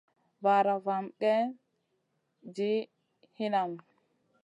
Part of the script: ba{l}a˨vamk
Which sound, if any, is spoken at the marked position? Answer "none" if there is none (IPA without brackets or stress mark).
ɾ